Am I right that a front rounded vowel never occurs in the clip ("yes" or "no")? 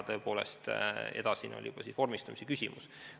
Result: no